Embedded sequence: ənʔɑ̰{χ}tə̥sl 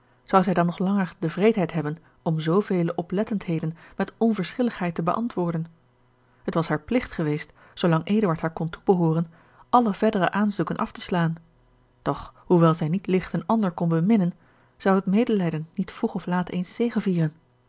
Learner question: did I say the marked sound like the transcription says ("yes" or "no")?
no